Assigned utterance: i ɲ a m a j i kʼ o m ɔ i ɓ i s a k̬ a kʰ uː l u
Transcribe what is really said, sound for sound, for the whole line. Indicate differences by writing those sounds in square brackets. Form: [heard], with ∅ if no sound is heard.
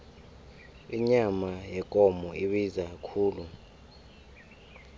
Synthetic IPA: i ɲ a m a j [ɛ] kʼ [ɔ] m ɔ i ɓ i [z] a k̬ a kʰ uː l u